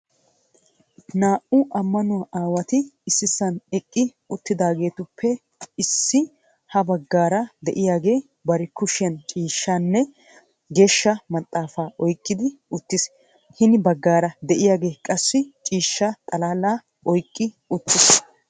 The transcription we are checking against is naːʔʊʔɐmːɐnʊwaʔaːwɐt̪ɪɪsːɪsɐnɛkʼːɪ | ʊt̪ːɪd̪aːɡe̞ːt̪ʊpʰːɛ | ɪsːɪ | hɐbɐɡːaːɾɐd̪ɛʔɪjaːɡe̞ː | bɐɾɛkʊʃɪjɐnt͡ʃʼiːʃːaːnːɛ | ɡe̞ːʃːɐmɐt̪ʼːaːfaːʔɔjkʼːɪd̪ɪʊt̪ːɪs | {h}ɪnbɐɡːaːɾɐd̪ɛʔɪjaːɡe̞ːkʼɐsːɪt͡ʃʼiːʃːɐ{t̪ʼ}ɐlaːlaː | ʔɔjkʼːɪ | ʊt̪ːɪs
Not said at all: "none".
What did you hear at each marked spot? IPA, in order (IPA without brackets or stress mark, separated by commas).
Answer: h, t̪ʼ